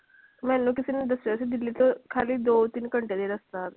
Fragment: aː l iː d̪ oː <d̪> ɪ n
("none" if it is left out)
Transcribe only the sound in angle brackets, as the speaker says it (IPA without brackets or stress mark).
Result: t̪